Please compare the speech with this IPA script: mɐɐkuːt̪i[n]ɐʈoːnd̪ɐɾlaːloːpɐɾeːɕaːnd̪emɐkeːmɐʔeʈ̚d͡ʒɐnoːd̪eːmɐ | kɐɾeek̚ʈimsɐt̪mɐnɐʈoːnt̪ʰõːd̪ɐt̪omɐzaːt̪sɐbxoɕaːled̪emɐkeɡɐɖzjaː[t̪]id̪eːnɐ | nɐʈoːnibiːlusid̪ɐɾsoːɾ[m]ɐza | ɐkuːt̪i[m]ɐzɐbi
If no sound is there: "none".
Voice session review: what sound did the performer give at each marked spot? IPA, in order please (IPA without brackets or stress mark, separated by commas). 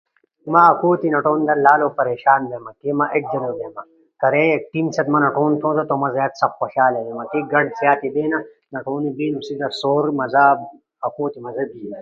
n, t̪, m, m